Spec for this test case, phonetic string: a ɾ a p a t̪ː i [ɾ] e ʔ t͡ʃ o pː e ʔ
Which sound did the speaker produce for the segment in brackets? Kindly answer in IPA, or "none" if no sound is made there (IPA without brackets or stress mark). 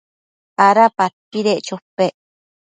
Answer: ɾ